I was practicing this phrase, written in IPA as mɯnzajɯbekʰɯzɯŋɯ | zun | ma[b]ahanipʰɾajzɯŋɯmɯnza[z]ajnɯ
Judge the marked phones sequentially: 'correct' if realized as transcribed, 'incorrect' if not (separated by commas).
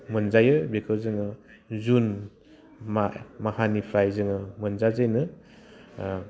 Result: incorrect, correct